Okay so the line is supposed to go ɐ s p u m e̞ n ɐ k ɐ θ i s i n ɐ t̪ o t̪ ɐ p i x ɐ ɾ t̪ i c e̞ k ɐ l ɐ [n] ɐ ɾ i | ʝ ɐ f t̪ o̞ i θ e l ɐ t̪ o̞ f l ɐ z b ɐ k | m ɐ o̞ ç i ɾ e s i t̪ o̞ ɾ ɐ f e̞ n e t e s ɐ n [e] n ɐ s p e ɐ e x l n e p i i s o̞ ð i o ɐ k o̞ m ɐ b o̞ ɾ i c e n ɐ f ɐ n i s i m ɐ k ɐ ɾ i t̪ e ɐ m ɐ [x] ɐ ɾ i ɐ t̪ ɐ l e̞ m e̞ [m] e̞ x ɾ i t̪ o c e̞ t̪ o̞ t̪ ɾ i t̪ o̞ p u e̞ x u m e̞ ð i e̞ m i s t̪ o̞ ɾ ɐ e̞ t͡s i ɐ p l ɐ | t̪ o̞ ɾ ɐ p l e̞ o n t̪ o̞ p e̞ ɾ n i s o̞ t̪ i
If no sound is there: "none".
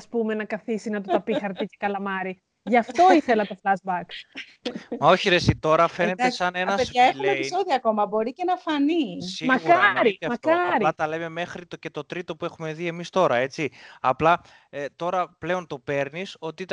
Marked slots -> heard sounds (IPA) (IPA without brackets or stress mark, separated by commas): m, e, k, m